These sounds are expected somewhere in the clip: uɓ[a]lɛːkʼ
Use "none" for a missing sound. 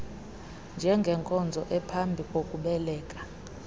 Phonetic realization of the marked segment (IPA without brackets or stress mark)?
ɛ